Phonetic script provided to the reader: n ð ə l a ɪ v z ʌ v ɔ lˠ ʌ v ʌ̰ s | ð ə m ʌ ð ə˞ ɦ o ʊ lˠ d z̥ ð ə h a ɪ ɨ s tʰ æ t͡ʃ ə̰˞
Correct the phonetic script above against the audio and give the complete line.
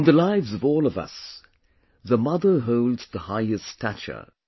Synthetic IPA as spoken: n ð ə l a ɪ v z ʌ v ɔ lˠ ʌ v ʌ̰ s | ð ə m ʌ ð ə˞ ɦ o ʊ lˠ d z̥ ð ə h a ɪ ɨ s tʰ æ t͡ʃ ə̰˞